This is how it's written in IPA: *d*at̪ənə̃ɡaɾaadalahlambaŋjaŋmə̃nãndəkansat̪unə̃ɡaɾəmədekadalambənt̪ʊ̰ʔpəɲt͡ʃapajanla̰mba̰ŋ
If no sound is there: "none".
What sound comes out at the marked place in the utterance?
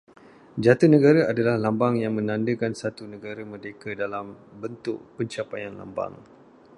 d͡ʒ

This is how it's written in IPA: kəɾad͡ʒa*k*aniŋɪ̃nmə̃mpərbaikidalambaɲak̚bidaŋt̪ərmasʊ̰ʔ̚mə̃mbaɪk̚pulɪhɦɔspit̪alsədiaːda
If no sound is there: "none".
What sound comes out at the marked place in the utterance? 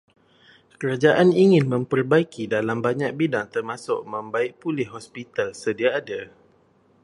ʔ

